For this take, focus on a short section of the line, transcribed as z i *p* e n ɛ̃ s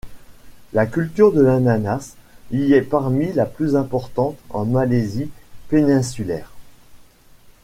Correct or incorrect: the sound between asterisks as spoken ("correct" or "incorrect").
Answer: correct